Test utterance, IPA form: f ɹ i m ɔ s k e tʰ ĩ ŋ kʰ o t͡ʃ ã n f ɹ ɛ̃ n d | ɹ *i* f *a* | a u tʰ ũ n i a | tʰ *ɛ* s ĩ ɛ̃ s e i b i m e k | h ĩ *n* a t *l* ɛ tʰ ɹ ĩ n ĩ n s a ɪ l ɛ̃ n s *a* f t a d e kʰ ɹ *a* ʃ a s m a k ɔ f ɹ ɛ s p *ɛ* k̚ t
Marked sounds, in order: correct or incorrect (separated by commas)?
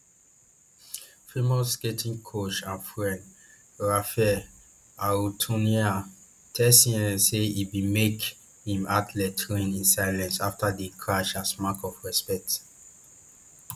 incorrect, incorrect, correct, incorrect, correct, correct, correct, correct